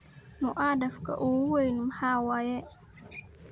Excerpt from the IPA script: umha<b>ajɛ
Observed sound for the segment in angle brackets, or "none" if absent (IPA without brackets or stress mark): w